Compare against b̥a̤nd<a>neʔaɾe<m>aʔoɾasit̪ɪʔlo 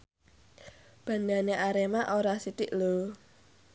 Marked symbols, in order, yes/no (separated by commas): yes, yes